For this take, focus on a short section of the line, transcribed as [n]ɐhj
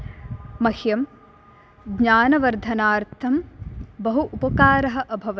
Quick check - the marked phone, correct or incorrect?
incorrect